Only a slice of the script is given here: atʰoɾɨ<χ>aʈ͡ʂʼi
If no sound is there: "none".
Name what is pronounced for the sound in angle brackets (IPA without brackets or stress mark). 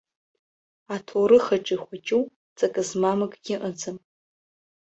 χ